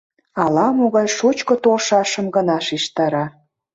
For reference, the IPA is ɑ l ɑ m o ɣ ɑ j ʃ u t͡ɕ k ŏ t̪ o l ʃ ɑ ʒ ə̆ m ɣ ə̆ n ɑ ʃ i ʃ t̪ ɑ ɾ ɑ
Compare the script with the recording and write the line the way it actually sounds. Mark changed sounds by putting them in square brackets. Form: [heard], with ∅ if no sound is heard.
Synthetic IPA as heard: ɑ l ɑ m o ɣ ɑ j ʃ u t͡ɕ k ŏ t̪ o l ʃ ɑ [ʃ] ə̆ m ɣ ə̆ n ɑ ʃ i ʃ t̪ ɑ ɾ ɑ